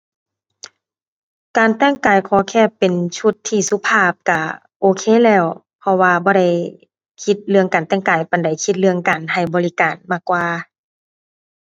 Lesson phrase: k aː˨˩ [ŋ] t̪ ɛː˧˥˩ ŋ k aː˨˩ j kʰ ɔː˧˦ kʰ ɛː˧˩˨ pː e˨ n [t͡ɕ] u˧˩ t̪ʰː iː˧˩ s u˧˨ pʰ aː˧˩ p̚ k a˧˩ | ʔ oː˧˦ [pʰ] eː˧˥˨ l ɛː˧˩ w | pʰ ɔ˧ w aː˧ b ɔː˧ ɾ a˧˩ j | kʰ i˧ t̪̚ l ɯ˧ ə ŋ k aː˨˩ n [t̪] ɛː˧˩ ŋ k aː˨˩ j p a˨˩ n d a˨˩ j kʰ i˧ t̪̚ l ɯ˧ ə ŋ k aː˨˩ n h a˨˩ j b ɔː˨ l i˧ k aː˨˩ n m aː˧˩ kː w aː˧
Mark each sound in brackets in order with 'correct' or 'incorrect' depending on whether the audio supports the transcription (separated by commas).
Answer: incorrect, incorrect, incorrect, correct